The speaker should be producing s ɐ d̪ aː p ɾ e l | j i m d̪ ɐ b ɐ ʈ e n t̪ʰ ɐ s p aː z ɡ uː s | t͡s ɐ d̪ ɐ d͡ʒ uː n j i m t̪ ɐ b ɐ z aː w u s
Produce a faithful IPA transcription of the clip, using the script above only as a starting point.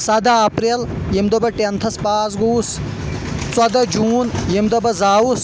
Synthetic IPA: s ɐ d̪ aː p ɾ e l | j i m d̪ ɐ b ɐ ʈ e n t̪ʰ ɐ s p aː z ɡ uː s | t͡s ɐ d̪ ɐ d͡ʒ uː n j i m d̪ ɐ b ɐ z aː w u s